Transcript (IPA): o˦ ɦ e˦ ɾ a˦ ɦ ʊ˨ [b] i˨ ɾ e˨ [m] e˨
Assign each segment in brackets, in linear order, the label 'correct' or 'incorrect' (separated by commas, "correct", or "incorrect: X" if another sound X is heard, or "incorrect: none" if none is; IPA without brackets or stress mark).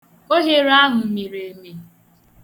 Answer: incorrect: m, correct